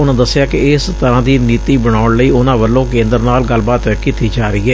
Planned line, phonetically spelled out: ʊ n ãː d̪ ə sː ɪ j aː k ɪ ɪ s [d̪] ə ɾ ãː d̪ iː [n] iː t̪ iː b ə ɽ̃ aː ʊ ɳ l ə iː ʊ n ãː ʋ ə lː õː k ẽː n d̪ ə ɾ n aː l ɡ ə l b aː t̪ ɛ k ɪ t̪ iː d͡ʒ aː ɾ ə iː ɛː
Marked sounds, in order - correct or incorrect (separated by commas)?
incorrect, correct